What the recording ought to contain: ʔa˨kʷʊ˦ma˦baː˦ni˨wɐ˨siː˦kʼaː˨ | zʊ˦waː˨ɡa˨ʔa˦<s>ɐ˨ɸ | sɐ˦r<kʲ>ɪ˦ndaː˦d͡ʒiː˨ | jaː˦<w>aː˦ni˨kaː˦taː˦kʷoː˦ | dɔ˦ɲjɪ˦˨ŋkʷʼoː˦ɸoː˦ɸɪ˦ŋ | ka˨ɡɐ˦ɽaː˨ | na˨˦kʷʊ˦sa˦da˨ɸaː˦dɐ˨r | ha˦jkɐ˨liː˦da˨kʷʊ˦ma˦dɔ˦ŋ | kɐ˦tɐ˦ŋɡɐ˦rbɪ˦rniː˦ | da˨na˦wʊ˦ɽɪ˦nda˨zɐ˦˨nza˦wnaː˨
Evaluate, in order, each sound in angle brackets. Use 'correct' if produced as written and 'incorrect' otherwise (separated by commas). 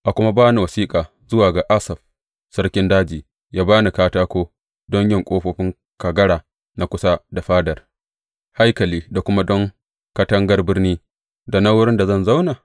correct, correct, incorrect